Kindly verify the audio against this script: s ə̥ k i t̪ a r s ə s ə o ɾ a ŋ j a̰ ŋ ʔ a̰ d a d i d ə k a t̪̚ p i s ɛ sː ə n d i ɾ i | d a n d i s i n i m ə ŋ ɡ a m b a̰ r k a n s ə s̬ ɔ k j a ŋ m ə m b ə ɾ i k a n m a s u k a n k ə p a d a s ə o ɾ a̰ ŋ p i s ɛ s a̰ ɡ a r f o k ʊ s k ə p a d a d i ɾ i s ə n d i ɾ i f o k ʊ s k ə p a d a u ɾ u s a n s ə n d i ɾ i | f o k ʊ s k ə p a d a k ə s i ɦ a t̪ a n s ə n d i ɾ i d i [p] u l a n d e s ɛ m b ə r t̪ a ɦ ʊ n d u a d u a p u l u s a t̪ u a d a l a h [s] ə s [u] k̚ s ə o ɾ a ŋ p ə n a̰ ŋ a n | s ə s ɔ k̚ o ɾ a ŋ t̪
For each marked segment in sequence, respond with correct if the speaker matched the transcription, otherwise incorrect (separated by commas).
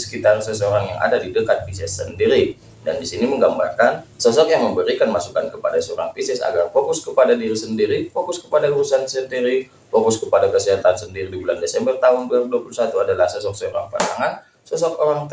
incorrect, correct, incorrect